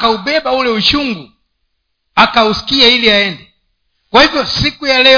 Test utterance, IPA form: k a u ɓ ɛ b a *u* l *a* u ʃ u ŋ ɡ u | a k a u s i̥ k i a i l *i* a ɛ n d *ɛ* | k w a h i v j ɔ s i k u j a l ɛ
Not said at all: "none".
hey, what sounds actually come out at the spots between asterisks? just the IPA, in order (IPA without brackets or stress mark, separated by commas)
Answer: u, ɛ, i, ɛ